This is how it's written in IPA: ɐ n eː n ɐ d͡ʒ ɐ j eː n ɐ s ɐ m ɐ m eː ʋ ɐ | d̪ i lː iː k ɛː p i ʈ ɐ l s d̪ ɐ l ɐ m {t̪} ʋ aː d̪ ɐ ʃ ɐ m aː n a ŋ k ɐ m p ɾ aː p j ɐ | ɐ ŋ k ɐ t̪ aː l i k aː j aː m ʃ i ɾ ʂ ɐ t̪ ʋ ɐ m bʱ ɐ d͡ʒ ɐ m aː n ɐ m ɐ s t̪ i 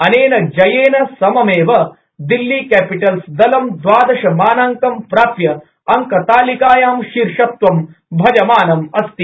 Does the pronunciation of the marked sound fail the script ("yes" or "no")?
yes